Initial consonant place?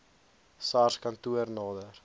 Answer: alveolar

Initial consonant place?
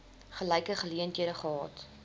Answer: uvular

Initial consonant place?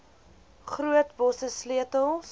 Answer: uvular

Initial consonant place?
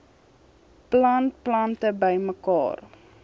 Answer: labial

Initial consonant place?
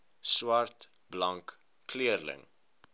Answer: alveolar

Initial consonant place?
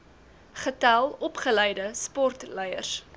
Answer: uvular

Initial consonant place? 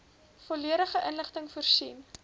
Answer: labial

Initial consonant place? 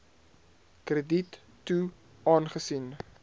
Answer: velar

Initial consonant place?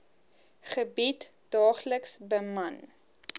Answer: uvular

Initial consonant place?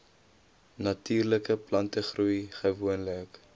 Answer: alveolar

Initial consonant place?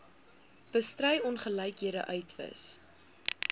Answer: labial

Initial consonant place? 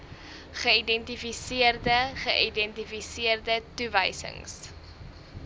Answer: uvular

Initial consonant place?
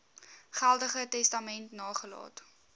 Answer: uvular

